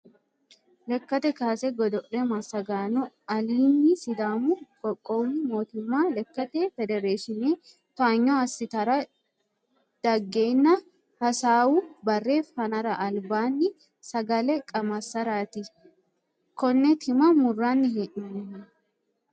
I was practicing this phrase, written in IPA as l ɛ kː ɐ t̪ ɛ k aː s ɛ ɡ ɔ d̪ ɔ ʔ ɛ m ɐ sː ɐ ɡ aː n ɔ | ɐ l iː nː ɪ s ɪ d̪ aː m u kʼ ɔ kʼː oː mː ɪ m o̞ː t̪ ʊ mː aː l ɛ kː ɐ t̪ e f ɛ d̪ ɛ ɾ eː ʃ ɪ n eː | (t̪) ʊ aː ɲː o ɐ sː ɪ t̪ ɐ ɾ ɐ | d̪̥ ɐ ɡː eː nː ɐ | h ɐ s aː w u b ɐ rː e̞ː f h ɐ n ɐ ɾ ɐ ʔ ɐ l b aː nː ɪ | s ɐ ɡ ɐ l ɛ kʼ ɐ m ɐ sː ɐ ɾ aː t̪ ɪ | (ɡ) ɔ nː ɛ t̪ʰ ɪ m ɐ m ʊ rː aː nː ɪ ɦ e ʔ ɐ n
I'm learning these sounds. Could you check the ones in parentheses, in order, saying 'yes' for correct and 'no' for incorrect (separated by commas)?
yes, no